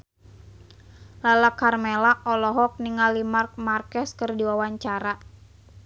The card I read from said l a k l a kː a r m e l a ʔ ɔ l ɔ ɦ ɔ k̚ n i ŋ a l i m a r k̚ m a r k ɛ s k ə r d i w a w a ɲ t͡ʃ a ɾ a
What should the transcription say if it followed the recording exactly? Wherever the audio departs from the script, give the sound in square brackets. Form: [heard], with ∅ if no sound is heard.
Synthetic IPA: l a [∅] l a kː a r m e l a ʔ ɔ l ɔ ɦ ɔ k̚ n i ŋ a l i m a r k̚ m a r k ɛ s k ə r d i w a w a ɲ t͡ʃ a ɾ a